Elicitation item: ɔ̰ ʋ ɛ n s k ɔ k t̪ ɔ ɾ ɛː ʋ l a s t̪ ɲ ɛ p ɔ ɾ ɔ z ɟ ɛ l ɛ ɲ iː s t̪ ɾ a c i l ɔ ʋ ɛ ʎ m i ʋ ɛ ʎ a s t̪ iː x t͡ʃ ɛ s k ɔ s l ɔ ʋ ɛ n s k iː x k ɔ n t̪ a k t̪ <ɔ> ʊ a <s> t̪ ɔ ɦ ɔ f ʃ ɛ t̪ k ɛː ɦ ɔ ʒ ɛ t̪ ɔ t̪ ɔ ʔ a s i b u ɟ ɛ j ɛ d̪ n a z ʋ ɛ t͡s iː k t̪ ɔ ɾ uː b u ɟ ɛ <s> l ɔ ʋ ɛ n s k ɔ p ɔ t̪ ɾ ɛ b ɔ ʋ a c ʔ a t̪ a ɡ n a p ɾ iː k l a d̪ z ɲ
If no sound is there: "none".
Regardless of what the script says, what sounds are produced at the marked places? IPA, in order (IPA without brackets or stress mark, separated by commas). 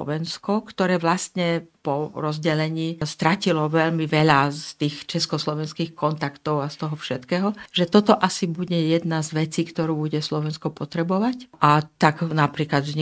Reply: ɔ, s, s